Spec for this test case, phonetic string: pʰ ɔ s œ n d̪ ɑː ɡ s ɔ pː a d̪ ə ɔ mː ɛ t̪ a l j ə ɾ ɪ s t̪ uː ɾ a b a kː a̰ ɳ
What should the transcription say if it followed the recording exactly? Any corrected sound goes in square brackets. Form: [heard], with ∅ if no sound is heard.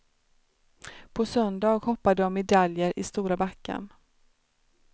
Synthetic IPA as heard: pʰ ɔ s œ n d̪ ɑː ɡ [h] ɔ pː a d̪ ə ɔ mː ɛ [d̪] a l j ə ɾ ɪ s t̪ uː ɾ a b a kː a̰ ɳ